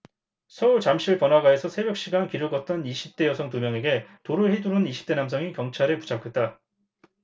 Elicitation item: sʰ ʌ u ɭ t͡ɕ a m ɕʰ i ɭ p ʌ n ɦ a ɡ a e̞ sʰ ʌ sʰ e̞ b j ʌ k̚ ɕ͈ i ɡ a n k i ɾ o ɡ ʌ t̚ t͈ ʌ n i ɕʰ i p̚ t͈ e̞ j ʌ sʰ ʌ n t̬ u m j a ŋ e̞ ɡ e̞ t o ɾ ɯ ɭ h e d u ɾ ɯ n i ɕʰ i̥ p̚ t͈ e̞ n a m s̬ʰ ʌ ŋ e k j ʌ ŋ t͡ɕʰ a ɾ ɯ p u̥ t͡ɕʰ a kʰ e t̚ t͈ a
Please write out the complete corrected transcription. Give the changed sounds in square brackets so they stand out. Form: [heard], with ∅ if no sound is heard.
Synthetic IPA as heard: sʰ ʌ u ɭ t͡ɕ a m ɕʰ i ɭ p ʌ n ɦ a ɡ a e̞ sʰ ʌ sʰ e̞ b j ʌ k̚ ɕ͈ i ɡ a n k i ɾ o ɡ ʌ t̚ t͈ ʌ n i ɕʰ i p̚ t͈ e̞ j ʌ sʰ ʌ [ŋ] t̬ u m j [ʌ] ŋ e̞ ɡ e̞ t o ɾ ɯ ɭ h e d u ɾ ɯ n i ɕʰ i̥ p̚ t͈ e̞ n a m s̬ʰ ʌ ŋ [i] k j ʌ ŋ t͡ɕʰ a ɾ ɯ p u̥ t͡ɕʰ a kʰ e t̚ t͈ a